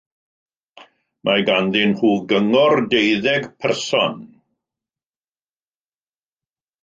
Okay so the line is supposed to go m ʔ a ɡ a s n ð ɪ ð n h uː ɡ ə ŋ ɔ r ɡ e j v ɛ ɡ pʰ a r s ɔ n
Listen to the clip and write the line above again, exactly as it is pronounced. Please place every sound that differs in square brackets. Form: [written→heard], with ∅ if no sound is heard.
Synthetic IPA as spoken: m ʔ a ɡ a [s→∅] n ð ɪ [ð→∅] n h uː ɡ ə ŋ ɔ r [ɡ→d] e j [v→ð] ɛ ɡ pʰ [a→ɛ] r s ɔ n